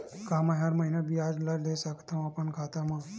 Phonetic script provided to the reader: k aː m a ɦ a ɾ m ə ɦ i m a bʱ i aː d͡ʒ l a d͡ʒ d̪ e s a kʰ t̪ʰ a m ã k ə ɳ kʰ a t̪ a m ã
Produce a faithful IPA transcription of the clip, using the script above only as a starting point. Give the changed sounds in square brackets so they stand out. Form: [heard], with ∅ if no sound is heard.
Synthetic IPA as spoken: k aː m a ɦ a ɾ m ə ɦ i [n] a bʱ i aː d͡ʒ l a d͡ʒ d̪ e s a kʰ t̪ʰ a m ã [p] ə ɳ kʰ a t̪ a m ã